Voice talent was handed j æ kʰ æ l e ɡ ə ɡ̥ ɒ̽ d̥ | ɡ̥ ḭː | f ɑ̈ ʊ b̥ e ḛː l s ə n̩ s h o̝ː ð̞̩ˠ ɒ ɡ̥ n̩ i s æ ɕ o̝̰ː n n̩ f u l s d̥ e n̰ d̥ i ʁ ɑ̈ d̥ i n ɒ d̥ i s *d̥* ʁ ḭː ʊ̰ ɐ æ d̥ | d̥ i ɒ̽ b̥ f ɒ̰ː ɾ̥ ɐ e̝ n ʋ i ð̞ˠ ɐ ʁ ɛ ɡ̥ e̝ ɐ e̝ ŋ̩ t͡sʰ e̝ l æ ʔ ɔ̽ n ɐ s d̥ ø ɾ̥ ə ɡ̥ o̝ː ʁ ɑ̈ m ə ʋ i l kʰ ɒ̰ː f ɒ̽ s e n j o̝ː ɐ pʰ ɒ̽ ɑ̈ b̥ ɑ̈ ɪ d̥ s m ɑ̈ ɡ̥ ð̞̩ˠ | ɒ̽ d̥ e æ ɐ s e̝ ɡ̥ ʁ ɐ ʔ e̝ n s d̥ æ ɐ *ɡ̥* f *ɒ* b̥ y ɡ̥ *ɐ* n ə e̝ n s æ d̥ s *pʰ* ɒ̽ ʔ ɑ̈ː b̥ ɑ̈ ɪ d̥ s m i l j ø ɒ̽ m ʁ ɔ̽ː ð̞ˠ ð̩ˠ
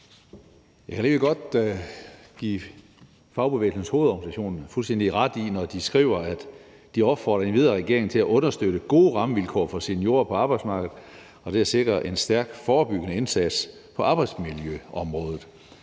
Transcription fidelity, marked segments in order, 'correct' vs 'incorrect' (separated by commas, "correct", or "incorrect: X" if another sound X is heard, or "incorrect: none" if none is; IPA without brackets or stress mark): incorrect: ɡ̥, correct, incorrect: ɒː, incorrect: ə, correct